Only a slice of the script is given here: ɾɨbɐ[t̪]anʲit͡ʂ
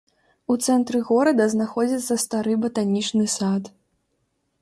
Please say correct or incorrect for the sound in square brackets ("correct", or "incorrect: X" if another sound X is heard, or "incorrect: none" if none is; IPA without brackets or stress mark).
correct